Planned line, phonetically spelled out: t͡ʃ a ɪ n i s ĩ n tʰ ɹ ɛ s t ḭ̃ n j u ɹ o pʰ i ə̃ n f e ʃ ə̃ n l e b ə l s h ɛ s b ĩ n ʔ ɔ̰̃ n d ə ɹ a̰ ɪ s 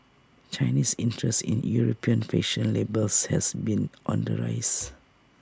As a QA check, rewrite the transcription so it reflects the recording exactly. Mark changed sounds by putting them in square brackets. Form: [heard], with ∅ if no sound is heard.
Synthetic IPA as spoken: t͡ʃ a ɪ n i s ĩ n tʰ ɹ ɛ s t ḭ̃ n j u ɹ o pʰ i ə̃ n f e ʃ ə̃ n l e b ə l s h ɛ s b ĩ n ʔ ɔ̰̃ n d ə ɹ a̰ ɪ s